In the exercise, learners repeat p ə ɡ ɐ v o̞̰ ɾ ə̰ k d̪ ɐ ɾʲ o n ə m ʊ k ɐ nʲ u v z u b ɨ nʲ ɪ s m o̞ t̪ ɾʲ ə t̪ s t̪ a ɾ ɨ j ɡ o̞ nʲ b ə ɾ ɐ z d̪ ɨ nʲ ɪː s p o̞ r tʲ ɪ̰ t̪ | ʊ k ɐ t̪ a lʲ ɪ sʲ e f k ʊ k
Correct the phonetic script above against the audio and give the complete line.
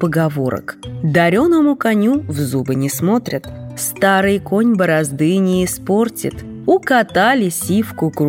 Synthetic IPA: p ə ɡ ɐ v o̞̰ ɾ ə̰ k d̪ ɐ ɾʲ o n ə m ʊ k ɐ nʲ u v z u b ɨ nʲ ɪ s m o̞ t̪ ɾʲ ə t̪ s t̪ a ɾ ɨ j k o̞ nʲ b ə ɾ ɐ z d̪ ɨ nʲ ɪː s p o̞ r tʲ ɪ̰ t̪ | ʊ k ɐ t̪ a lʲ ɪ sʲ i f k ʊ k